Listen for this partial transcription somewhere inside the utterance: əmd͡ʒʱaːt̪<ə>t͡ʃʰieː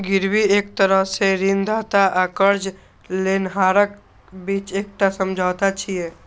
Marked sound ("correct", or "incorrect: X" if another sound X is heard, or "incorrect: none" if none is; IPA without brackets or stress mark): incorrect: a